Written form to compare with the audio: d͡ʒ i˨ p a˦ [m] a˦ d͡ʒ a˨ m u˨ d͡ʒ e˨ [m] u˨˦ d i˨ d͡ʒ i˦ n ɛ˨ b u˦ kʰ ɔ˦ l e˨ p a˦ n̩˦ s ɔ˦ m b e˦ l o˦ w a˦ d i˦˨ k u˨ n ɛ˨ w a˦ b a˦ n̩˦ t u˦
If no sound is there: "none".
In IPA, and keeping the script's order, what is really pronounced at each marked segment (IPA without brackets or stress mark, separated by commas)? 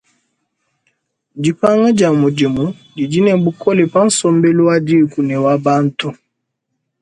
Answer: ŋ, m